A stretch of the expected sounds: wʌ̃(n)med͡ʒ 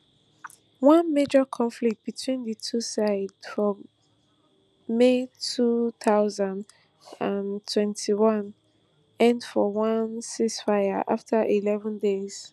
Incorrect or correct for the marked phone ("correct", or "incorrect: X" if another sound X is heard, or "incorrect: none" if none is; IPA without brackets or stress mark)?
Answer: correct